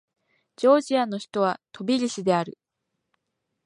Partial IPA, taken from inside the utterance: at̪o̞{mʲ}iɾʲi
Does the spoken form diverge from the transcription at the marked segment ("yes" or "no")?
yes